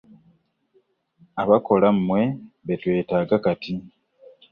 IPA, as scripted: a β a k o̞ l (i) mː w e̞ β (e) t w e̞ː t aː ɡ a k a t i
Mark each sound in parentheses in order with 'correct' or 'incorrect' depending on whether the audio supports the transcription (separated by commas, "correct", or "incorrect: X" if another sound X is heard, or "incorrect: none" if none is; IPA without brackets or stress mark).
incorrect: a, correct